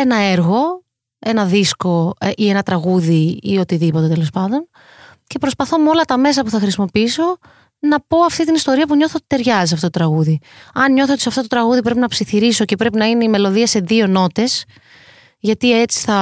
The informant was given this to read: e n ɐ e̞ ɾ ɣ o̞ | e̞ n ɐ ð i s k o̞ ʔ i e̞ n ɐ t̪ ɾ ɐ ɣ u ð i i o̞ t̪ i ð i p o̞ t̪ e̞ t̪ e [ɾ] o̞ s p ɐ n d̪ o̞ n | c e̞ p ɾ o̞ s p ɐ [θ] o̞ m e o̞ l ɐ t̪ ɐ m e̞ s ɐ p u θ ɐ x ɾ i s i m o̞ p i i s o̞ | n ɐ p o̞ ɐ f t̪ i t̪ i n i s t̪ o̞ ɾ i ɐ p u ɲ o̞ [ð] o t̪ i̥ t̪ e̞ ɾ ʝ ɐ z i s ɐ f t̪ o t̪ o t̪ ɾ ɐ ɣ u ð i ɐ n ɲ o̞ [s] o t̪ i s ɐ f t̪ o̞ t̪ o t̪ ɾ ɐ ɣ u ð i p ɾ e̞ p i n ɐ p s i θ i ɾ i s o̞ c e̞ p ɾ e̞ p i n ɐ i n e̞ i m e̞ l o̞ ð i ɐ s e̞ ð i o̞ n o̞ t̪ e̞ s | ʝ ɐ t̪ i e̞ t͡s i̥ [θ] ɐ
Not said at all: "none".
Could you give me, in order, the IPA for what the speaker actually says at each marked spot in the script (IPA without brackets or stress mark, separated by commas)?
l, θ, θ, θ, θ